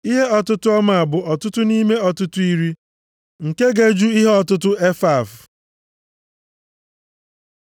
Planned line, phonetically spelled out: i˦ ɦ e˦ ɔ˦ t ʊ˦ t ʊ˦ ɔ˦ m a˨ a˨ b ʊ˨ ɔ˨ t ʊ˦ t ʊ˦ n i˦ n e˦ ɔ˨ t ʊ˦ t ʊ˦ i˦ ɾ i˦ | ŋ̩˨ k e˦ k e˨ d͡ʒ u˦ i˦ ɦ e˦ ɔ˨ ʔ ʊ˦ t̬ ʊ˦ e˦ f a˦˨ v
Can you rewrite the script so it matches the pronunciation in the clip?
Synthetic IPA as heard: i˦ ɦ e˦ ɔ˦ t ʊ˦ t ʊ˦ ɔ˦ m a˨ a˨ b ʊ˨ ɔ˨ t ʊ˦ t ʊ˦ n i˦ m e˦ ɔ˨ t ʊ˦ t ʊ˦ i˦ ɾ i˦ | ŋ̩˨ k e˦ ɡ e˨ d͡ʒ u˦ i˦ ɦ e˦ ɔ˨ t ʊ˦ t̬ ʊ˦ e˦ f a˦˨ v